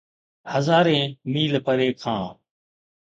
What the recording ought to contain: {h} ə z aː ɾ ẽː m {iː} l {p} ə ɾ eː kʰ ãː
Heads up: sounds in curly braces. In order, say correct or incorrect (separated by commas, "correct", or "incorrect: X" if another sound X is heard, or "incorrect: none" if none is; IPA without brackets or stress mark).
correct, correct, correct